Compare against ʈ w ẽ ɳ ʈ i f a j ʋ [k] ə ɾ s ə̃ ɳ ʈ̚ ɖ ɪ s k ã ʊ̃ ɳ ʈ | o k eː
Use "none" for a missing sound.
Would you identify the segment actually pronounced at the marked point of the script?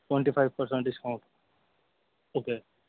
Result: p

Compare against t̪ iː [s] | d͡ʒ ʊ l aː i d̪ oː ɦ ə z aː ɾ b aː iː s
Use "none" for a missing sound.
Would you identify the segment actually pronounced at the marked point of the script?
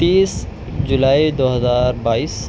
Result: s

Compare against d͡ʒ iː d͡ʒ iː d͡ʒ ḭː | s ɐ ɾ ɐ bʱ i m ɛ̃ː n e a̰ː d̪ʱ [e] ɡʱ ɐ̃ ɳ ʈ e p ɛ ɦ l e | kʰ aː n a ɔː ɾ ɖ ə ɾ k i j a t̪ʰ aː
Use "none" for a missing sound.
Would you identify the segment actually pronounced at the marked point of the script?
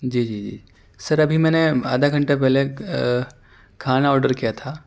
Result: a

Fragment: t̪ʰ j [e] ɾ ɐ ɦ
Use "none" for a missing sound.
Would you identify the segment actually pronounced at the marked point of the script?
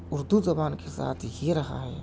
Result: e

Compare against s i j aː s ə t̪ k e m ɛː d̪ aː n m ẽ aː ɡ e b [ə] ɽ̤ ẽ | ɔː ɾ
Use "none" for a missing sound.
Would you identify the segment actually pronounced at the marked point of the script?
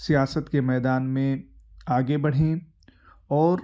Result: ɐ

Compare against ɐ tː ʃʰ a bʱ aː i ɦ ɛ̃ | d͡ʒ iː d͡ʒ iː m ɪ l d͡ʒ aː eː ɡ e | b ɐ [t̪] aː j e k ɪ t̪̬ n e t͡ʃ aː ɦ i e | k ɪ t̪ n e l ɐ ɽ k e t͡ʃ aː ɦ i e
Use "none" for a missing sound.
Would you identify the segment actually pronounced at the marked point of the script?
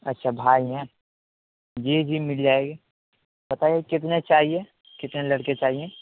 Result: t̪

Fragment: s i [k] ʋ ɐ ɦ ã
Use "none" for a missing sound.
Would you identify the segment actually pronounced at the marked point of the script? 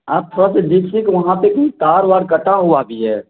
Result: k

